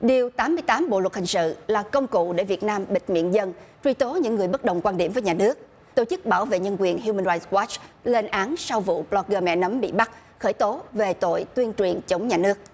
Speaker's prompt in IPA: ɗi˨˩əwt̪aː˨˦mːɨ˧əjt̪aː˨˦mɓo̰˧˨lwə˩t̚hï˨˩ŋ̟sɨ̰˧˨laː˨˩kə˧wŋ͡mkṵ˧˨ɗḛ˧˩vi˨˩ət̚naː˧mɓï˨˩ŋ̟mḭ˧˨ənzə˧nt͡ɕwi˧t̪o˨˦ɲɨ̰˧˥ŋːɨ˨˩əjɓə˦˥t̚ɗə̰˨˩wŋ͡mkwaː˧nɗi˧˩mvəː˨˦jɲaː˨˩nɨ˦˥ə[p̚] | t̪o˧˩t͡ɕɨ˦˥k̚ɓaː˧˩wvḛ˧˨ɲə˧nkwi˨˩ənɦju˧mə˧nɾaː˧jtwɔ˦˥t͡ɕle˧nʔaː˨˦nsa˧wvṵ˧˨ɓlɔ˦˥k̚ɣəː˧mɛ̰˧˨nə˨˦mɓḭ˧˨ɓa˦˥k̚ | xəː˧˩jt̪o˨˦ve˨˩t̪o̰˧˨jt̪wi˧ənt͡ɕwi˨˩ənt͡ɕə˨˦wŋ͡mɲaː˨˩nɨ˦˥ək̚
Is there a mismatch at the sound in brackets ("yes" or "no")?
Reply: yes